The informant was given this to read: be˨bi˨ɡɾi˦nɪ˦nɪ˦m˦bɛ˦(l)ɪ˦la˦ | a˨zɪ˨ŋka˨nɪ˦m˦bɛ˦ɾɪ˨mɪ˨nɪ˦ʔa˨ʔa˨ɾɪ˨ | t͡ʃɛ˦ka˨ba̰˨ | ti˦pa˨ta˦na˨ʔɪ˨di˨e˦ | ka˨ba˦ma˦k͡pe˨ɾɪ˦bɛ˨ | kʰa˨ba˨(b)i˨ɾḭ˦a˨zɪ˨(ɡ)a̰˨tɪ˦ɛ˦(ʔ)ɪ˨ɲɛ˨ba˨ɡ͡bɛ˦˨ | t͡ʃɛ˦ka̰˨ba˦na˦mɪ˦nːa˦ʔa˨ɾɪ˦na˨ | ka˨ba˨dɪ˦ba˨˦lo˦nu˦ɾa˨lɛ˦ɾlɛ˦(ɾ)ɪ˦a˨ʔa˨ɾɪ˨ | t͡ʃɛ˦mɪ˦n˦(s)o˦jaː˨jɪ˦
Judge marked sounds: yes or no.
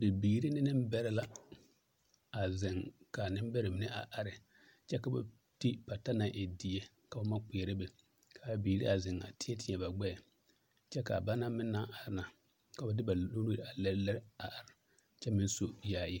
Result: no, yes, no, no, yes, yes

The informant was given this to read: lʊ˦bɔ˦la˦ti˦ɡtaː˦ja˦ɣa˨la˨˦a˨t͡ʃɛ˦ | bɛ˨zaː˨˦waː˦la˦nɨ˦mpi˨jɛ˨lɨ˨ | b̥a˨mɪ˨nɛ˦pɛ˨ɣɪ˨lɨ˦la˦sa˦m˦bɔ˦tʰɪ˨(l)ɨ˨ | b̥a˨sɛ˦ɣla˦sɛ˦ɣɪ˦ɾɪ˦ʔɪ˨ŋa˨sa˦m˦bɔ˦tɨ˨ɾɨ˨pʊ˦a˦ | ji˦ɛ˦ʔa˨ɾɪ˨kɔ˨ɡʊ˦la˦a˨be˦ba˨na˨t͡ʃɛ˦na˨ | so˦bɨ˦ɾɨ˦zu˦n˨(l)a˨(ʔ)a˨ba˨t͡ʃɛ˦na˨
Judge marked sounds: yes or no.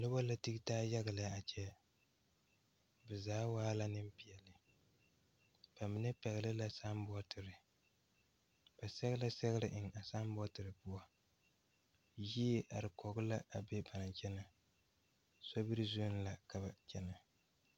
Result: no, yes, no

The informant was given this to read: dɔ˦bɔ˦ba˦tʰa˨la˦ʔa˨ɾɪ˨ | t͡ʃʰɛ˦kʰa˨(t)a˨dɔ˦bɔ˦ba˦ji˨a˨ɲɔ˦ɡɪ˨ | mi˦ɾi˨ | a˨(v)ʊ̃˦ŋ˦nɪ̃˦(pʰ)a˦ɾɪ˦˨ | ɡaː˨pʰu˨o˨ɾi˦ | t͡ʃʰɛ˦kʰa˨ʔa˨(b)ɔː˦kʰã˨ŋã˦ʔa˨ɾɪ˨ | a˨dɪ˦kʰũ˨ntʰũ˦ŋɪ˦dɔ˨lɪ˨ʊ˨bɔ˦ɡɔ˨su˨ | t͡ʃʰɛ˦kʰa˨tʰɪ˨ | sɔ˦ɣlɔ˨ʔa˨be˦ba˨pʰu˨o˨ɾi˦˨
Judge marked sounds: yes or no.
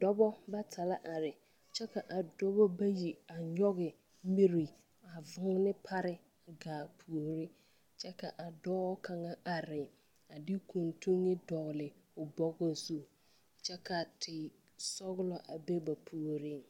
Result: no, yes, yes, no

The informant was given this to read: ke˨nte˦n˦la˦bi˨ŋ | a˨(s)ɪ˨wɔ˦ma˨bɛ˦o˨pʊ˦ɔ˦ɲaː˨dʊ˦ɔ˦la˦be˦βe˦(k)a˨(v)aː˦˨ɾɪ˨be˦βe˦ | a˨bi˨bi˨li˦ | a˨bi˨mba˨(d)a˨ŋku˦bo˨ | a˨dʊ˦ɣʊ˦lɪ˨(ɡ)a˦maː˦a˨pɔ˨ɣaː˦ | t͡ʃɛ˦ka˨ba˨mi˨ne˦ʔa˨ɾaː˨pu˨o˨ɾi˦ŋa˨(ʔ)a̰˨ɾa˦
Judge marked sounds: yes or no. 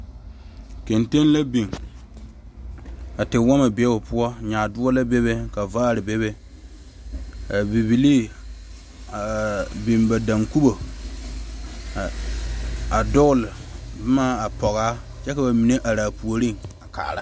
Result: no, yes, yes, yes, no, no

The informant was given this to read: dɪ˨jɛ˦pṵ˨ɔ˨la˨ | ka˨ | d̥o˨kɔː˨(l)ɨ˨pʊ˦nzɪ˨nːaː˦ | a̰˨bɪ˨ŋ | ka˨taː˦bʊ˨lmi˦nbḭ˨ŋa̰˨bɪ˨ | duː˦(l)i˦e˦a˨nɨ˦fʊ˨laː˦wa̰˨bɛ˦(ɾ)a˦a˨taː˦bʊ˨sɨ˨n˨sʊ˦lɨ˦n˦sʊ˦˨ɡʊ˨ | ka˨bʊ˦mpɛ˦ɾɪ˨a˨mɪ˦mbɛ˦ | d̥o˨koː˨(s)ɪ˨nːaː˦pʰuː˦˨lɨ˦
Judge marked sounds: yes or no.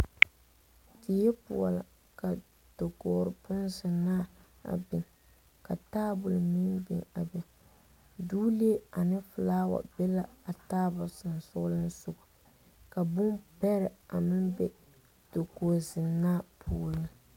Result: no, yes, no, no

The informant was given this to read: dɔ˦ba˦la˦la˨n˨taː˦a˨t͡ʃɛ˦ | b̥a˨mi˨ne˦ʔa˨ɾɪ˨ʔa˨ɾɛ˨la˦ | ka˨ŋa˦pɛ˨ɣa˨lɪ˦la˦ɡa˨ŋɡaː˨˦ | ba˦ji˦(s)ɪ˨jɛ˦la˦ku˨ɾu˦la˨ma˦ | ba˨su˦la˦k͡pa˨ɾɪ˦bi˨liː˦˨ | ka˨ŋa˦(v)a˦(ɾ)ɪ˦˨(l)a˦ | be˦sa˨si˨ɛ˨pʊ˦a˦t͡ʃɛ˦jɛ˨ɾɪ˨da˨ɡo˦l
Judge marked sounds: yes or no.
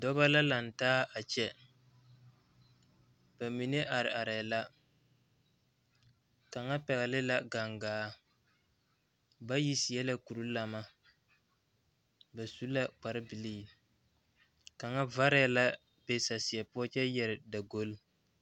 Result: yes, yes, yes, yes

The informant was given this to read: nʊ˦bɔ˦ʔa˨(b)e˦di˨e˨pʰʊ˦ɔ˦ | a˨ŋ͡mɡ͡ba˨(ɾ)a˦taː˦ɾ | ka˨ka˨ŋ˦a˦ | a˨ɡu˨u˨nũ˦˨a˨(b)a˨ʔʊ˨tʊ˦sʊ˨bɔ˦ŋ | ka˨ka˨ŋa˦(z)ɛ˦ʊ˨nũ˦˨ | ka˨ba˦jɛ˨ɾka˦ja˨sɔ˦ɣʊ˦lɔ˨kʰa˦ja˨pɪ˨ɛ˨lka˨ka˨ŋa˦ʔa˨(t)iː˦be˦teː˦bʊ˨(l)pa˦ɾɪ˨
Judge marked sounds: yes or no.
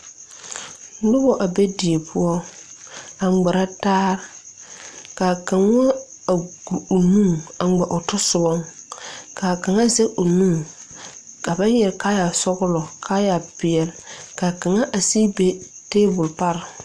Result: yes, yes, no, yes, no, yes

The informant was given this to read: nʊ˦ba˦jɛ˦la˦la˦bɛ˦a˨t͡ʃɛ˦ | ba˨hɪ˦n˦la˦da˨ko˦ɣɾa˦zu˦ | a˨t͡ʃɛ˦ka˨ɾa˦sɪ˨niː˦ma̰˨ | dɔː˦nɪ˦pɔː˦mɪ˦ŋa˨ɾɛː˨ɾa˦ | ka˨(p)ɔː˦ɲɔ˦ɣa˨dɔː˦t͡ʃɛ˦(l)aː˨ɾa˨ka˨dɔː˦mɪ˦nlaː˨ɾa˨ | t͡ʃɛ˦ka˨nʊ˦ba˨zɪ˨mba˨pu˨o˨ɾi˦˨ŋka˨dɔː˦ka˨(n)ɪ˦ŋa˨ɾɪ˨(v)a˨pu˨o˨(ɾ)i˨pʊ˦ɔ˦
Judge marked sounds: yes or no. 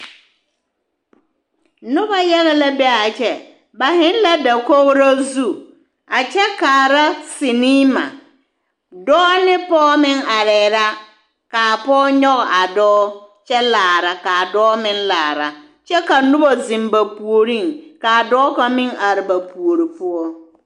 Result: yes, yes, no, no, yes

